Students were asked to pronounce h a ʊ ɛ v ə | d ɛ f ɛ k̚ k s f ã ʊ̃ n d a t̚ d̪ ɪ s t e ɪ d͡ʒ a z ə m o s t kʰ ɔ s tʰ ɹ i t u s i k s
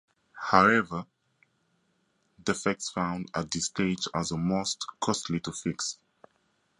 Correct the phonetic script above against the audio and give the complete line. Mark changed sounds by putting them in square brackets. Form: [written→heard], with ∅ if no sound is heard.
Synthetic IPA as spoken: h a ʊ ɛ v ə | d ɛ f ɛ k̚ [k→t] s f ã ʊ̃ n d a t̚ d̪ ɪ s t e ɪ d͡ʒ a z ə m o s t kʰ ɔ s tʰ [ɹ→l] i t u [s→f] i k s